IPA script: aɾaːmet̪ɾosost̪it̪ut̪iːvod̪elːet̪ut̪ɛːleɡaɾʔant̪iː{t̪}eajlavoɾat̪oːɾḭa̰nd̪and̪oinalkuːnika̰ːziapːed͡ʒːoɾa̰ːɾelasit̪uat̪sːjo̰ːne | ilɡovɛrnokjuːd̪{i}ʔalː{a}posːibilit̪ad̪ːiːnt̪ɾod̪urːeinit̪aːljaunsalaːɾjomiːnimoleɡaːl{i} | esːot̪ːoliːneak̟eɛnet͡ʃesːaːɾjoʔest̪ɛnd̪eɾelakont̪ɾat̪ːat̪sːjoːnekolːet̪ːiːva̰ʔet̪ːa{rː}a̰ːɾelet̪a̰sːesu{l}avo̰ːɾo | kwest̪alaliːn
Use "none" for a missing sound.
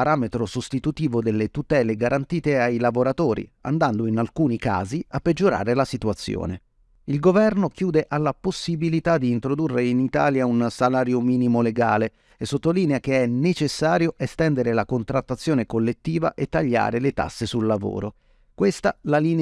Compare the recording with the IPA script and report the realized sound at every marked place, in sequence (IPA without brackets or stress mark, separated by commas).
t̪, e, a, e, ʎː, lː